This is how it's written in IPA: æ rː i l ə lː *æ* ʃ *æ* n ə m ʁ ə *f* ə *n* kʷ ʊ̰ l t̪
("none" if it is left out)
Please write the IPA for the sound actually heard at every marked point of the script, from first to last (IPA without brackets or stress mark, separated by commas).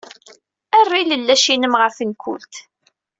æ, i, f, n